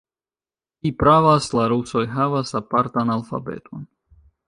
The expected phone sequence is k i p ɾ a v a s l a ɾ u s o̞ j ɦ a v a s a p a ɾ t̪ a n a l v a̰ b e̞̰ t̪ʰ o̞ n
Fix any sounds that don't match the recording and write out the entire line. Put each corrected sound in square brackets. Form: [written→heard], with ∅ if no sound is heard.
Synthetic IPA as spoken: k i p ɾ a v a s l a ɾ u s o̞ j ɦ a v a s a p a ɾ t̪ a n a l [v→f] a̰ b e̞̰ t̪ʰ o̞ n